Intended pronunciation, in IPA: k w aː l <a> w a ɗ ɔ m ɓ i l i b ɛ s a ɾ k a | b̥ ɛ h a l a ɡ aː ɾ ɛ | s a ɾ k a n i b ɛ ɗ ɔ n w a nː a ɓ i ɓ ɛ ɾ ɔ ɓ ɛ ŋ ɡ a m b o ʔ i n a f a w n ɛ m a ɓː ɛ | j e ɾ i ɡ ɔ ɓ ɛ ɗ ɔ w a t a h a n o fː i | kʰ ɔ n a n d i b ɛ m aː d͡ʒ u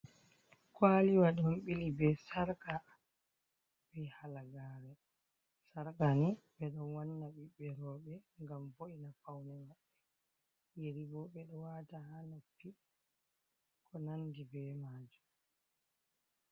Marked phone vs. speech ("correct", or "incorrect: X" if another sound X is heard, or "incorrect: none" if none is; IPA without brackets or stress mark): incorrect: i